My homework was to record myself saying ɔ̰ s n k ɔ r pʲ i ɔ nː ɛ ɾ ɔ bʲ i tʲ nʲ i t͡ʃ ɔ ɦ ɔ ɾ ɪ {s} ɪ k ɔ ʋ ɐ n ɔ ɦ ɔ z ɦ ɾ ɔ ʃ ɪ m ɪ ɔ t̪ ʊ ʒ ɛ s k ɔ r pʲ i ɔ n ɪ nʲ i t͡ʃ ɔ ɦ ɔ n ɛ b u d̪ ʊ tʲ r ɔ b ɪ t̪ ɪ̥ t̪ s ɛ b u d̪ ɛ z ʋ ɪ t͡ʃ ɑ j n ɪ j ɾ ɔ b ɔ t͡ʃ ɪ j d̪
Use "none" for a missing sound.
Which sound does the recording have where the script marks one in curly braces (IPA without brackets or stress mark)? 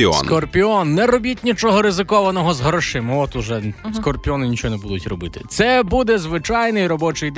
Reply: z